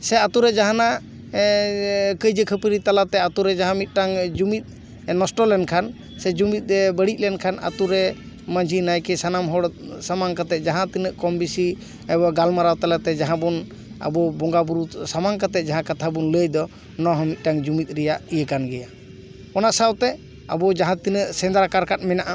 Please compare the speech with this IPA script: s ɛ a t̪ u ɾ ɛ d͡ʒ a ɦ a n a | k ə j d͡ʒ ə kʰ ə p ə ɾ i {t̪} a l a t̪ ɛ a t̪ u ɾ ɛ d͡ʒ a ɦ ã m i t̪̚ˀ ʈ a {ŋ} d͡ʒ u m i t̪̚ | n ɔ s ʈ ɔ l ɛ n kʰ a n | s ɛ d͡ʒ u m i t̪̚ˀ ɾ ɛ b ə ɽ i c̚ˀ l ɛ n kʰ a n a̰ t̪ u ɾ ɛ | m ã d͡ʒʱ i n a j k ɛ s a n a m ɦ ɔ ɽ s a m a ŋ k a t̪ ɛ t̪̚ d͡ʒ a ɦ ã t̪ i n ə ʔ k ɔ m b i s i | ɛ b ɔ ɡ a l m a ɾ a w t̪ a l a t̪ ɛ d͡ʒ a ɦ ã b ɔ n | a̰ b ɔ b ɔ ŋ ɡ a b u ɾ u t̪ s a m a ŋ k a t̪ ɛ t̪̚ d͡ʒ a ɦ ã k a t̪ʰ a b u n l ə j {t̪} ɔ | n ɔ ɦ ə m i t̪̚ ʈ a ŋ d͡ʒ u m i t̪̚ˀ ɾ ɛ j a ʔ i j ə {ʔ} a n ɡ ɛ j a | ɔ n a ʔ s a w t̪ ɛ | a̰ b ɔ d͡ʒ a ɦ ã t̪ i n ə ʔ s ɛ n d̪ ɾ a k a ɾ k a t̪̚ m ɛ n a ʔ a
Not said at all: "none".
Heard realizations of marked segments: t̪, ŋ, d̪, k

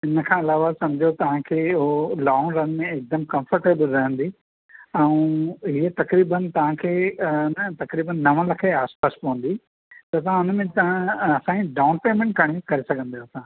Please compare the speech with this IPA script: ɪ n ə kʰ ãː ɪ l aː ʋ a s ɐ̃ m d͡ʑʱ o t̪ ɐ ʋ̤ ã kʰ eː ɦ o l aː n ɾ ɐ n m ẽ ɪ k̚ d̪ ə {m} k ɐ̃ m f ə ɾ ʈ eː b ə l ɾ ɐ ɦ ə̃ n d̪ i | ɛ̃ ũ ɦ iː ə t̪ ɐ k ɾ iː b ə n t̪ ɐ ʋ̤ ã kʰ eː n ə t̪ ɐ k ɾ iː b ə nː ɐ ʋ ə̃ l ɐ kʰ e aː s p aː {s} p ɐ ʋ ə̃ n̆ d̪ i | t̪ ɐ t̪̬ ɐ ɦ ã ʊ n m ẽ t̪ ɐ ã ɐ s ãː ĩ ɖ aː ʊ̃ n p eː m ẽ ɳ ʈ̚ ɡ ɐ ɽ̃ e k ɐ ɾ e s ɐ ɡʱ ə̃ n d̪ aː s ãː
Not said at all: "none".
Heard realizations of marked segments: m, s

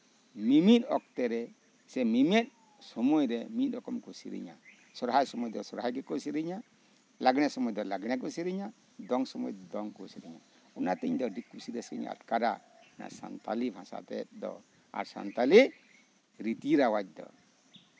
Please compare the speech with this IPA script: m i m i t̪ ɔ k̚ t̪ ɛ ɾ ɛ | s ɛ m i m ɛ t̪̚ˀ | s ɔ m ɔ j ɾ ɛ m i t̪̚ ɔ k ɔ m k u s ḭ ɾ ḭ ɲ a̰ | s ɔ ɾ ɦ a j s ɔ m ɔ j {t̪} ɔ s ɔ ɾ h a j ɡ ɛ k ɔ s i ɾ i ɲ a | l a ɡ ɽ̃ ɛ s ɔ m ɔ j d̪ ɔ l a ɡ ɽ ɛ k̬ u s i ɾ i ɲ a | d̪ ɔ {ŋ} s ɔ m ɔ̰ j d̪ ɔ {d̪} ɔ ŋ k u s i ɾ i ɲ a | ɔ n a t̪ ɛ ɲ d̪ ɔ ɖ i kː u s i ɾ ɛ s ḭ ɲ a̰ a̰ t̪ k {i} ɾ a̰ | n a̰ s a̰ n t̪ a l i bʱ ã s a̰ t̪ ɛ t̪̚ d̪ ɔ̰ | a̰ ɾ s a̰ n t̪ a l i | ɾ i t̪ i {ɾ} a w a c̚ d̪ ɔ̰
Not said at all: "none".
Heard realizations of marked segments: d̪, ŋ, d̪, a, ɾ

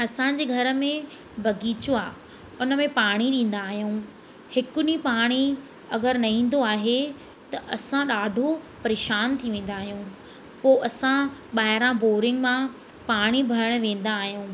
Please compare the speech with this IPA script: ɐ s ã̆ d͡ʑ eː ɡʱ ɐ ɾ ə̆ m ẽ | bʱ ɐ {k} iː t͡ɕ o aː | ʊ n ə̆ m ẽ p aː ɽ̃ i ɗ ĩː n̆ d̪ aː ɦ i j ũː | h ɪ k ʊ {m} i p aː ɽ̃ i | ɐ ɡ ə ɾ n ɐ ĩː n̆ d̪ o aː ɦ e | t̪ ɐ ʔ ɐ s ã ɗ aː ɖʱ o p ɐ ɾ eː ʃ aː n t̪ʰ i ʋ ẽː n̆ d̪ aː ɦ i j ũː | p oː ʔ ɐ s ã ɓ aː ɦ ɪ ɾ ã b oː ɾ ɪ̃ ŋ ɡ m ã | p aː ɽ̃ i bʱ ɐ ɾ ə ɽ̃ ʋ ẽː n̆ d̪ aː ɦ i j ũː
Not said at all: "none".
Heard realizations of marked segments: ɡ, n

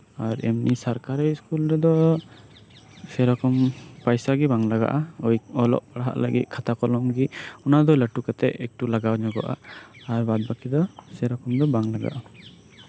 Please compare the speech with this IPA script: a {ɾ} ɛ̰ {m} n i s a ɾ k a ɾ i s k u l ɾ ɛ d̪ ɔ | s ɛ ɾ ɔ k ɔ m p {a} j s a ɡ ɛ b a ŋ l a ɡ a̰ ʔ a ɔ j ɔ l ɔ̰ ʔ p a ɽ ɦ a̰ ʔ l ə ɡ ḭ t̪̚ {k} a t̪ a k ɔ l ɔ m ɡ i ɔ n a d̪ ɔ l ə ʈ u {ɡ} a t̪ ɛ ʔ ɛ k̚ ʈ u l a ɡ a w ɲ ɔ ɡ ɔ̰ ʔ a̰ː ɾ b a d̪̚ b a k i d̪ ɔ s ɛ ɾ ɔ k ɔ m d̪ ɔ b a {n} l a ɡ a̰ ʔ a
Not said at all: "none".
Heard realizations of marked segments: ɾ, m, a, kʰ, k, ŋ

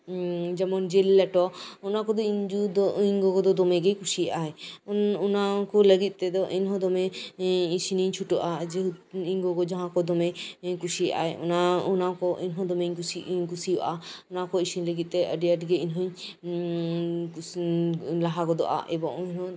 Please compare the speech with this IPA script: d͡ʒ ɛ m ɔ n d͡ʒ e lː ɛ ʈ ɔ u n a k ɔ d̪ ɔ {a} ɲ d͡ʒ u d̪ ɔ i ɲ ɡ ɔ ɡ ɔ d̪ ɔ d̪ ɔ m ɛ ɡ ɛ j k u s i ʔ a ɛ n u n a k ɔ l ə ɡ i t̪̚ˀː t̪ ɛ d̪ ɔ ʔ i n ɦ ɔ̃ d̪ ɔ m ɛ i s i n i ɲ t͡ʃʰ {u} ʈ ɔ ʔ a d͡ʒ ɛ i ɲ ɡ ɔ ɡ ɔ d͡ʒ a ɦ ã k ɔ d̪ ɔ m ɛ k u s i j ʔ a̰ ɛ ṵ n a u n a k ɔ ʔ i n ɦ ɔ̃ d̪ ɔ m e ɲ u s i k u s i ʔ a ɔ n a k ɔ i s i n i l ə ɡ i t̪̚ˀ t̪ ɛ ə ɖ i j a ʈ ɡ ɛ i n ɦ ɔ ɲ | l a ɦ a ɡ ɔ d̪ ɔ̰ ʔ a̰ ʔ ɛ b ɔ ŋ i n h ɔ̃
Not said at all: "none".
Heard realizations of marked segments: i, u

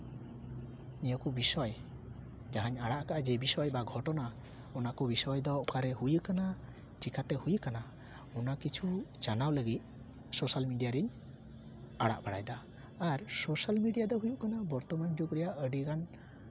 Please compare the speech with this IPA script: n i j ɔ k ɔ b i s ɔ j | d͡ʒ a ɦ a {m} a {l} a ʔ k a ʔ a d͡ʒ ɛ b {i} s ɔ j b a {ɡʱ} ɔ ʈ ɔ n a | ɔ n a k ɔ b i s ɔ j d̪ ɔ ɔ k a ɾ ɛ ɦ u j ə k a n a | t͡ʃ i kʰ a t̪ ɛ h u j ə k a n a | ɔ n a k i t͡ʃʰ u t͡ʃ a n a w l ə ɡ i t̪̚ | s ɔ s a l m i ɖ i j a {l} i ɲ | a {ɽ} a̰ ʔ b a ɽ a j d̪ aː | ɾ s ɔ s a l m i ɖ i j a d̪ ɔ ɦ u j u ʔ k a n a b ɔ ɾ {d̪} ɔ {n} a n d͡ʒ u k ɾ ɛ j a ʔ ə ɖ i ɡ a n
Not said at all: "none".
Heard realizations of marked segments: ɲ, ɽ, i, ɡʱ, ɾ, ɽ, t̪, m

